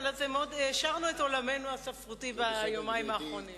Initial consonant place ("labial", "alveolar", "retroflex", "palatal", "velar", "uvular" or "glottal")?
alveolar